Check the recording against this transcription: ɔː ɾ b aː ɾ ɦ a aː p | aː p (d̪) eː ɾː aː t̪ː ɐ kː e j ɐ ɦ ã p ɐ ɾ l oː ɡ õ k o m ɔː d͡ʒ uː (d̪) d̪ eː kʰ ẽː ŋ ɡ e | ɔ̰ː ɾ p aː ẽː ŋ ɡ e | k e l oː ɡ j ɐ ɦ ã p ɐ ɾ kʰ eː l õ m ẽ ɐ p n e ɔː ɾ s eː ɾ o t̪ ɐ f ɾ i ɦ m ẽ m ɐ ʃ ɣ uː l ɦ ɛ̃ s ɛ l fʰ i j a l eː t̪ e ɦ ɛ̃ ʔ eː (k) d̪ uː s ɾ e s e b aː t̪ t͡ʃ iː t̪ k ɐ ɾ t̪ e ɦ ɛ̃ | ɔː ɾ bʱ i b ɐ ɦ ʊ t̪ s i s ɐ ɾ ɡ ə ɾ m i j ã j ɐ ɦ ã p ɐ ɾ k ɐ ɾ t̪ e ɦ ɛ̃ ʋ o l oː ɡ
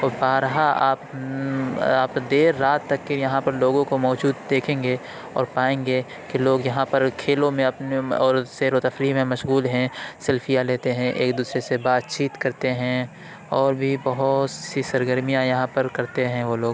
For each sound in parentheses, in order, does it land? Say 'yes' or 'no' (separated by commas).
yes, yes, yes